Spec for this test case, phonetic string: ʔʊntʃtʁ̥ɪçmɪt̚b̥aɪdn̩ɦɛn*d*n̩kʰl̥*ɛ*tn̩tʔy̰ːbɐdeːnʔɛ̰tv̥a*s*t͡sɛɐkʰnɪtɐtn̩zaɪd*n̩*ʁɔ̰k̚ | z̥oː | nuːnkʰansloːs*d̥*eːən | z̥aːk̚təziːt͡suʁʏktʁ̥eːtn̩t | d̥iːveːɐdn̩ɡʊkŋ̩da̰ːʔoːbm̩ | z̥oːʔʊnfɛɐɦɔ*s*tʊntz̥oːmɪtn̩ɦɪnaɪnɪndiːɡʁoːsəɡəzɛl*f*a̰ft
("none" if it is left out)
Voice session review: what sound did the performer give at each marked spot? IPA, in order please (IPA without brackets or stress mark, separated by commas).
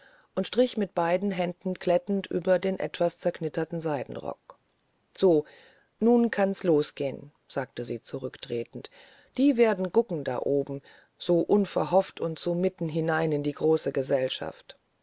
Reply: d, ɛ, s, n̩, ɡ̥, f, ʃ